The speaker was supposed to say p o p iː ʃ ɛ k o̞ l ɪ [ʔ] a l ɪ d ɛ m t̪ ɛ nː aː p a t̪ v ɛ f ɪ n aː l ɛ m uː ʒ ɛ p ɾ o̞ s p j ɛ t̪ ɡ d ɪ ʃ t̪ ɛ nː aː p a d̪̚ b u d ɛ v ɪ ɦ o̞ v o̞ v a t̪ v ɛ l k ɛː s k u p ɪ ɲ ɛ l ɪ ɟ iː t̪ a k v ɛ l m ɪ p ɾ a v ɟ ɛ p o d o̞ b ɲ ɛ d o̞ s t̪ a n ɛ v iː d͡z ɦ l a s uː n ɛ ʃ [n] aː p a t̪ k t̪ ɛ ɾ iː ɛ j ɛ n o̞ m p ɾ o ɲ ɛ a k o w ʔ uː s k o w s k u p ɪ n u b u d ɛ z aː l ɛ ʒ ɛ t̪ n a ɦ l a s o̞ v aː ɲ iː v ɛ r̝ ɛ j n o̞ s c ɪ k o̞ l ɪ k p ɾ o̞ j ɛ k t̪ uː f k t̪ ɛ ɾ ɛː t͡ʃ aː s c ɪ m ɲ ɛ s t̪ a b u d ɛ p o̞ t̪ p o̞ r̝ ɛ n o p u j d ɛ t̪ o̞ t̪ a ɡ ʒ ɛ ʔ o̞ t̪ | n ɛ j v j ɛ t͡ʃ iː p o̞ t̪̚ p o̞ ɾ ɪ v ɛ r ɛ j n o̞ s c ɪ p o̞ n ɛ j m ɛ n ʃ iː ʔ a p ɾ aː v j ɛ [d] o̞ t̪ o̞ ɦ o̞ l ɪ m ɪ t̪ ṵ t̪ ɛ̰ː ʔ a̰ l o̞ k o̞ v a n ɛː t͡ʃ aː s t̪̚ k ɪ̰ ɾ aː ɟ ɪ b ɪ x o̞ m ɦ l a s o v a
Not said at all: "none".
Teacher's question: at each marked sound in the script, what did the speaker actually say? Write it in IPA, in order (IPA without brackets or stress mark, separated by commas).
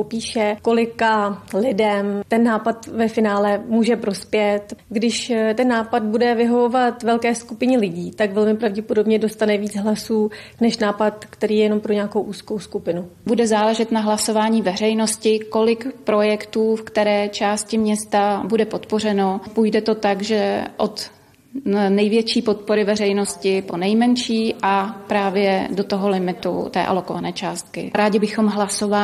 k, n, d